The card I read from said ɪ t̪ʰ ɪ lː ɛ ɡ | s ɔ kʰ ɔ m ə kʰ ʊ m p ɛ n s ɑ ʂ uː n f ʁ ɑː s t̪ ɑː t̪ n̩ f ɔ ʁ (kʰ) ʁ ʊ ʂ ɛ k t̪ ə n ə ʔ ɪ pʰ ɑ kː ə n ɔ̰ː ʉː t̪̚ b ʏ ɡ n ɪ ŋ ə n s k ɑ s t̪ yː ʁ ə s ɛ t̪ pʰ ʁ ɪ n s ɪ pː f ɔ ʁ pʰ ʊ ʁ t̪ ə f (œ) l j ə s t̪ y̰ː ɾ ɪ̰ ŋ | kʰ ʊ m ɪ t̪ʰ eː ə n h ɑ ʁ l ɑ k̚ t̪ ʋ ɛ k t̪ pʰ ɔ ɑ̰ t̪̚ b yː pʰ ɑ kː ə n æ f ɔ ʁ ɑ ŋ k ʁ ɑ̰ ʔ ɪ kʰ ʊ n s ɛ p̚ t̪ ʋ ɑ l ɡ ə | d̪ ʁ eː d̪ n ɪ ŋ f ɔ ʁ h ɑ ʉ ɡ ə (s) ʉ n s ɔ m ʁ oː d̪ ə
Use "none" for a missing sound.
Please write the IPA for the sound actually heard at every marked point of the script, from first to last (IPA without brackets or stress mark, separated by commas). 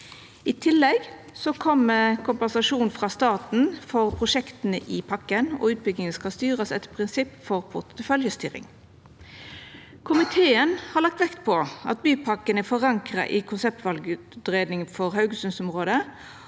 pʰ, œ, s